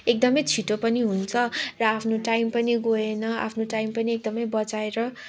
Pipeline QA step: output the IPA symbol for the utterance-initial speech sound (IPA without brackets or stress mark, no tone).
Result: e